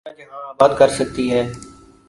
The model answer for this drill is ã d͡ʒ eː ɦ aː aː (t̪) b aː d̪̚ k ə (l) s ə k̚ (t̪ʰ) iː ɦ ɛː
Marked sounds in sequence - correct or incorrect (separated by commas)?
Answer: incorrect, incorrect, incorrect